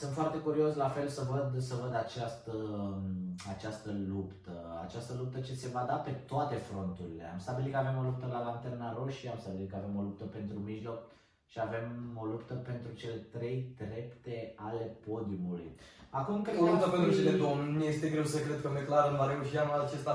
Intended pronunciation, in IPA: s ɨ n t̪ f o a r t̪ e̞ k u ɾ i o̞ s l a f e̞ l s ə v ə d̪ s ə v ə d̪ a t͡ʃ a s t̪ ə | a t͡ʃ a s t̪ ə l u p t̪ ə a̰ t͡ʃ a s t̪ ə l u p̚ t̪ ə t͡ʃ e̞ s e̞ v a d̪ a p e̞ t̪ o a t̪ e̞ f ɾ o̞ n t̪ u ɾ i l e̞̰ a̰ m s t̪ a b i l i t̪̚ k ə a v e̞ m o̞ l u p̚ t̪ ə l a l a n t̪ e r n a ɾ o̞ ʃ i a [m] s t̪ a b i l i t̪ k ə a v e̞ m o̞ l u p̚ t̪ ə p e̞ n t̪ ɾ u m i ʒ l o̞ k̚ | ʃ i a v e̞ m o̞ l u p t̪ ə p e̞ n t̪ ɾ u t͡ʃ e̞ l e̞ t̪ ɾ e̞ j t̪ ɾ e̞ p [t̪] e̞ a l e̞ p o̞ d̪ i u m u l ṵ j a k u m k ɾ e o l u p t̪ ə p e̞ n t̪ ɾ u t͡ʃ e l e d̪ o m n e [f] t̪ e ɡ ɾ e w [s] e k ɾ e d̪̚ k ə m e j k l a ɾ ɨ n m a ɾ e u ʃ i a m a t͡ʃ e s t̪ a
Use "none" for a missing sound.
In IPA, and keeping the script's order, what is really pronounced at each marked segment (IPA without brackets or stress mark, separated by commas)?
m, t̪, s, s